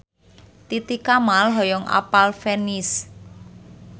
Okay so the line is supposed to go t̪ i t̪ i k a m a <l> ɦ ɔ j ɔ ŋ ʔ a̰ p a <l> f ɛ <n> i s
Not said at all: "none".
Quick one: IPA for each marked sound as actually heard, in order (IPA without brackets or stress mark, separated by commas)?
l, l, n